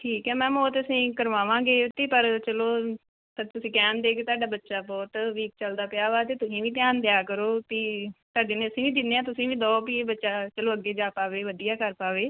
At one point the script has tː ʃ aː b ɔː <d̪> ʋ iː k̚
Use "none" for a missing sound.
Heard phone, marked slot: t̪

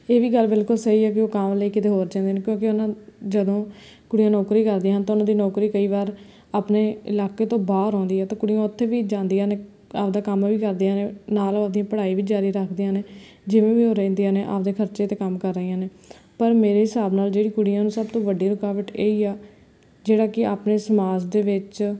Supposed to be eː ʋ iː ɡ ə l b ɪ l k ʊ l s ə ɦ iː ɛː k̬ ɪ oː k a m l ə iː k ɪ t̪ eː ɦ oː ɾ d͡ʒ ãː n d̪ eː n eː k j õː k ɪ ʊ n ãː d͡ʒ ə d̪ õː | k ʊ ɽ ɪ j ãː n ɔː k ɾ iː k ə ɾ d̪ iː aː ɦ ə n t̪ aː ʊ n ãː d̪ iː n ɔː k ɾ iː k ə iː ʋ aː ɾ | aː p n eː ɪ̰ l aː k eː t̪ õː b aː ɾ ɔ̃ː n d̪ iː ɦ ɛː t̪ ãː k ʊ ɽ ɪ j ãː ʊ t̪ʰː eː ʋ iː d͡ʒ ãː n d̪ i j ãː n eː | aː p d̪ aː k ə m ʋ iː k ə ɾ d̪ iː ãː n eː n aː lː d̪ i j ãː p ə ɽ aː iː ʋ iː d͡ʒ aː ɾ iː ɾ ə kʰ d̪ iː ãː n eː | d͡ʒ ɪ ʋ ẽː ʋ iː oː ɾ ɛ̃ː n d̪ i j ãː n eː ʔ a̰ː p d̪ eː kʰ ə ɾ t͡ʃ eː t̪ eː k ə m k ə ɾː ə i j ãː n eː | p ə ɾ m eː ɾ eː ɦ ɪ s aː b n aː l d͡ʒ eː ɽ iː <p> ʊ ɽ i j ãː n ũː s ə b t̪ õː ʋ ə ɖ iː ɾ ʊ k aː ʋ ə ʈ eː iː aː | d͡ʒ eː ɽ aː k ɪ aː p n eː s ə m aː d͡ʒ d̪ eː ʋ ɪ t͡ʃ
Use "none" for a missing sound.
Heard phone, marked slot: k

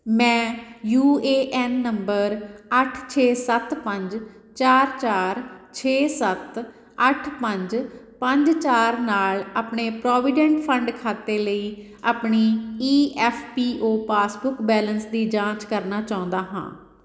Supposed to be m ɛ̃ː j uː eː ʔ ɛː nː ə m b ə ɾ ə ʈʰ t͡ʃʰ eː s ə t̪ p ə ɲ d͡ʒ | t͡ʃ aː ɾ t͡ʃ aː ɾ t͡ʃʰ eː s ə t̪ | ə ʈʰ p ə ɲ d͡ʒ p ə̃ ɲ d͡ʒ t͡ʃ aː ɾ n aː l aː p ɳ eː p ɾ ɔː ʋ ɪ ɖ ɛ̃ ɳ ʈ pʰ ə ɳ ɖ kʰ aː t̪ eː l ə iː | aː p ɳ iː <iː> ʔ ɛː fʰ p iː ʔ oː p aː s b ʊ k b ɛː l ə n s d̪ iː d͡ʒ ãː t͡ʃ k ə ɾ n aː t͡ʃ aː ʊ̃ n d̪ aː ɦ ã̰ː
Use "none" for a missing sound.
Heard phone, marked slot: iː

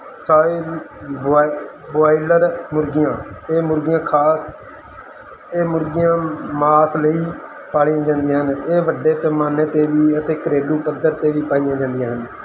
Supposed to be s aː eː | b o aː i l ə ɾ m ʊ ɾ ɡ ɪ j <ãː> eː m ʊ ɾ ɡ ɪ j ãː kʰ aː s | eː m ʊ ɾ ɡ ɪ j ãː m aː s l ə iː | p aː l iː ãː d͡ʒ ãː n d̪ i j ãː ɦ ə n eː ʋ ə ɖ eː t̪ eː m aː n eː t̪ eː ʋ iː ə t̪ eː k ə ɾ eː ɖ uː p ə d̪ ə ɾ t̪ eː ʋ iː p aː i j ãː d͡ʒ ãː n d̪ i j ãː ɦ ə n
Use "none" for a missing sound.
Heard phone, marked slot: ãː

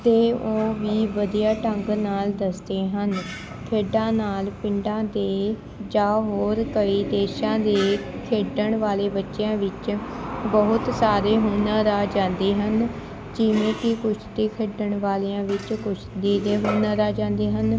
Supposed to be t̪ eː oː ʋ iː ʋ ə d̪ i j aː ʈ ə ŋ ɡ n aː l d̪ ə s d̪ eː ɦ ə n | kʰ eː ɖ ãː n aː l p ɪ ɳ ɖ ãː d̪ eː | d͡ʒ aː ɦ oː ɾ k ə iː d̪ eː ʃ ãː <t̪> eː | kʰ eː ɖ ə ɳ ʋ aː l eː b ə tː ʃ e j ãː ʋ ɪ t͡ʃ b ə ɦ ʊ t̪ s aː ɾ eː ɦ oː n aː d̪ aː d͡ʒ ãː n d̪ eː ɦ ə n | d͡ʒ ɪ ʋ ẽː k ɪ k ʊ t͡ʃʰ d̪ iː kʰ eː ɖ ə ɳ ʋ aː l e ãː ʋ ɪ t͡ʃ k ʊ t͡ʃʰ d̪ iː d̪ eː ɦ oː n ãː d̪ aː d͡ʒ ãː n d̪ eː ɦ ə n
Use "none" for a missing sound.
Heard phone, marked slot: d̪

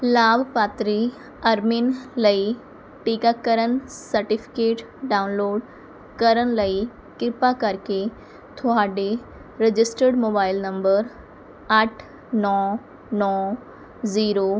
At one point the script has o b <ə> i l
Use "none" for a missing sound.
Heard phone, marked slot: a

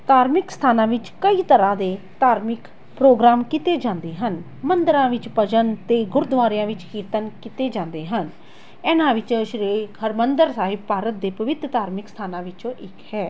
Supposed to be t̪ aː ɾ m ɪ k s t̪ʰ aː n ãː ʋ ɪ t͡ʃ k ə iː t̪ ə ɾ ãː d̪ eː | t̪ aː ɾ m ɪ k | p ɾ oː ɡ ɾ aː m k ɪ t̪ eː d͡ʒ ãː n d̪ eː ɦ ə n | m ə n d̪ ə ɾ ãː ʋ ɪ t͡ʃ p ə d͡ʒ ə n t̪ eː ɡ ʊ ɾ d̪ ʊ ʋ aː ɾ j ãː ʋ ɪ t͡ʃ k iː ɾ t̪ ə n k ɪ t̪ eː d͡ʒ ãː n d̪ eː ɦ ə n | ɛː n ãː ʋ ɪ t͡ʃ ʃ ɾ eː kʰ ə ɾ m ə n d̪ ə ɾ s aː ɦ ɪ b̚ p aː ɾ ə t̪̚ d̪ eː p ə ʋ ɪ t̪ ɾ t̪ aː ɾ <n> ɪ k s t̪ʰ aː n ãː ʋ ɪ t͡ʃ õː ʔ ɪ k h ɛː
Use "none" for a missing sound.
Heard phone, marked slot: m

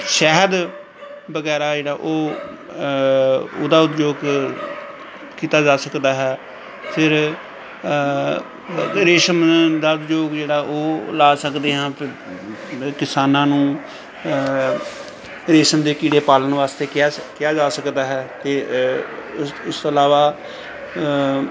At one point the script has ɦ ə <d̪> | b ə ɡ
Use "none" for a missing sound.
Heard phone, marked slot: d̪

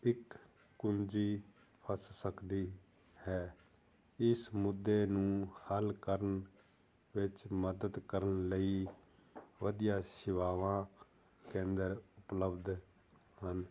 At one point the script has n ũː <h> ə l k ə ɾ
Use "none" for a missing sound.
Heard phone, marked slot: h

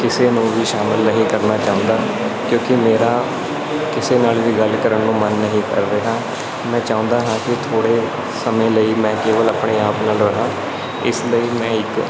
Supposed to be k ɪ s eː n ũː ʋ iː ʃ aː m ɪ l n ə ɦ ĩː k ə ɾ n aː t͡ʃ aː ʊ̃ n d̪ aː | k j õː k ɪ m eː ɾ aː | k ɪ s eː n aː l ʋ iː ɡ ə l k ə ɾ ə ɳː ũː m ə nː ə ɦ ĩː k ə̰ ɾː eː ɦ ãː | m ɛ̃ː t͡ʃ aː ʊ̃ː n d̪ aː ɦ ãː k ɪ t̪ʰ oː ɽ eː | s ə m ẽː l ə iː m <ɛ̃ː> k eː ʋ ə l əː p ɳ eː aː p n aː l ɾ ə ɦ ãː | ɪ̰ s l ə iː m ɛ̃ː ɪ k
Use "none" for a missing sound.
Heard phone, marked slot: ɛ̃ː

